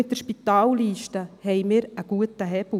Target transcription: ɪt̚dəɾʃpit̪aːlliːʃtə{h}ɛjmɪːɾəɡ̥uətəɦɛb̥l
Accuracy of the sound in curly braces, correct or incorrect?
correct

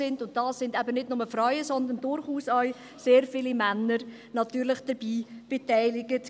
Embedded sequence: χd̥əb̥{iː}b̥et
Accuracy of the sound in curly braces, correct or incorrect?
correct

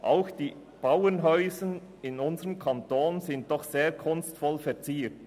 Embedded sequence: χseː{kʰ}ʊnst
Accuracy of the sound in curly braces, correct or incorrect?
correct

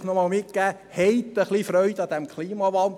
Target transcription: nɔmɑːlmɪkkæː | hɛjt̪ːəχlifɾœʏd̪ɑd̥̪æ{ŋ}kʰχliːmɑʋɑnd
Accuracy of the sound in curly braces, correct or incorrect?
incorrect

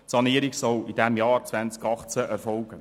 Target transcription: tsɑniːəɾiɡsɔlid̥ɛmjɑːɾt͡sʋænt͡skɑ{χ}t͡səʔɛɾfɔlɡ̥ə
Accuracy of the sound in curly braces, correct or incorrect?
correct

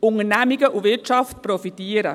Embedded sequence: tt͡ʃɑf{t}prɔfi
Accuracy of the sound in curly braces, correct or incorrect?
correct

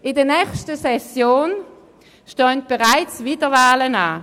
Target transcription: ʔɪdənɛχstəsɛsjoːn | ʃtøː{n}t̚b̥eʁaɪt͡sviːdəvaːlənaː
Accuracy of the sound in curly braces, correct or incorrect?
correct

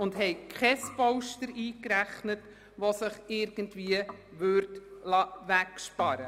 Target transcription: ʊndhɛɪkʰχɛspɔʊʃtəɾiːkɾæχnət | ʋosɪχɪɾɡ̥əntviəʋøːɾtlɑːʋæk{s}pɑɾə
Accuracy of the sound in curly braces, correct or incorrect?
incorrect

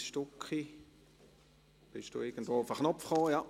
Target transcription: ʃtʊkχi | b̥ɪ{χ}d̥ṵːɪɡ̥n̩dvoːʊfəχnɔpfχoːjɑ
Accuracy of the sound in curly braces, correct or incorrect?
incorrect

